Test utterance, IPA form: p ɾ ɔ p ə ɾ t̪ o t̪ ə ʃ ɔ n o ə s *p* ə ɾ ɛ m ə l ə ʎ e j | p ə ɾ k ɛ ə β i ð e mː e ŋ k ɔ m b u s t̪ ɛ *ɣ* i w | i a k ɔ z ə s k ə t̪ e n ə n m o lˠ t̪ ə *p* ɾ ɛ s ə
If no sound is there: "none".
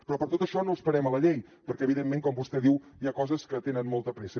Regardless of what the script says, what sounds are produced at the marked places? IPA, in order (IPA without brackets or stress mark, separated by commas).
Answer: p, ð, p